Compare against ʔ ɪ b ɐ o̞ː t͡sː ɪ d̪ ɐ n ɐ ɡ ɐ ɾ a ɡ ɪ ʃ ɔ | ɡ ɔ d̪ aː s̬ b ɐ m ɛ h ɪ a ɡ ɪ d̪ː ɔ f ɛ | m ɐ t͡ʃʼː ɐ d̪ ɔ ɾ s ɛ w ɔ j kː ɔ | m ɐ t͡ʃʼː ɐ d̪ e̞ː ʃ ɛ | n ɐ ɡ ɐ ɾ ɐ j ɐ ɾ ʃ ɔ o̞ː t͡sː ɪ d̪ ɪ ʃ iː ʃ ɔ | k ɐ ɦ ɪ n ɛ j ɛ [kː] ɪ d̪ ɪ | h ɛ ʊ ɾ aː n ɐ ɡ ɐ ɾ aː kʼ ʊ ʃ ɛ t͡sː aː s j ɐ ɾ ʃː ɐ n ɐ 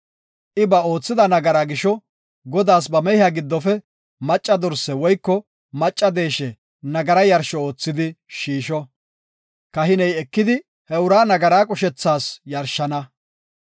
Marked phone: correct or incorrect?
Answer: correct